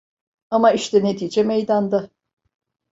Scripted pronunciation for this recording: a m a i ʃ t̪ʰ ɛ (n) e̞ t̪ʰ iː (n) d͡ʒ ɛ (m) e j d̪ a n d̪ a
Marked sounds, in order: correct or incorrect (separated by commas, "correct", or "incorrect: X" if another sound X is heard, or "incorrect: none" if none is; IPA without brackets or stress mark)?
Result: correct, incorrect: none, correct